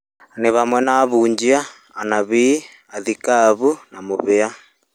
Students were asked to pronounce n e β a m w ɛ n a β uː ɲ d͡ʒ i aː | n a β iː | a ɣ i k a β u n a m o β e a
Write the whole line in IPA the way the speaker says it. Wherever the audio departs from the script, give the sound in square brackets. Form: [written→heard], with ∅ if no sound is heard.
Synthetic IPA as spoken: n e β a m w ɛ n a β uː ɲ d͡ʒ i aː | n a β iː | a [ɣ→ð] i k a β u n a m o β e a